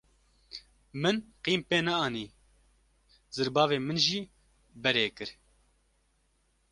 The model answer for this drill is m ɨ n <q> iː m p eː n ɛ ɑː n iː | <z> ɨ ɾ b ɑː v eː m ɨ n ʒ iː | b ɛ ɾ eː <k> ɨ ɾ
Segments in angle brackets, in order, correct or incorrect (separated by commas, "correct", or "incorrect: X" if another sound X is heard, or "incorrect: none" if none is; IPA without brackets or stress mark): correct, correct, correct